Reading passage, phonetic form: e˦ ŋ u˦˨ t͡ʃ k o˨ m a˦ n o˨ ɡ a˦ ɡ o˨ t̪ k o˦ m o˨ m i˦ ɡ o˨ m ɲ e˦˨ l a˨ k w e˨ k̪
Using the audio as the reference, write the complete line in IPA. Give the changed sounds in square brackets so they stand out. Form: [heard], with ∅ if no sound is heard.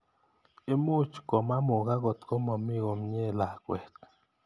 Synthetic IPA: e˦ [m] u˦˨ t͡ʃ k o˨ m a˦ [m] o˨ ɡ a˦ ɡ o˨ t̪ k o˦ m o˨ m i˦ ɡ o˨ m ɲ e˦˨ l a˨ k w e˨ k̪